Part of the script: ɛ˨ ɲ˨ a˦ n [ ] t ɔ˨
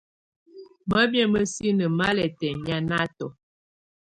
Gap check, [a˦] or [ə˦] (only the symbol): a˦